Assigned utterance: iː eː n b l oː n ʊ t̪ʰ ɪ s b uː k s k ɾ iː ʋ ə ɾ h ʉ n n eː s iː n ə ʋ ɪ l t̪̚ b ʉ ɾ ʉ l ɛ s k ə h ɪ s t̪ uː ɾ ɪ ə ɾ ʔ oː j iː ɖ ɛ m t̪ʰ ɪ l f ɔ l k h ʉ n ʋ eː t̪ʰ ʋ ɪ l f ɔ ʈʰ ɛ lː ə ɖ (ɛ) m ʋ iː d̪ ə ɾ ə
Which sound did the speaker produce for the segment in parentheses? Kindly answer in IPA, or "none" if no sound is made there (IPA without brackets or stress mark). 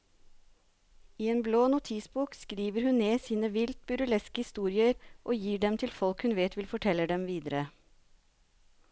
ɛ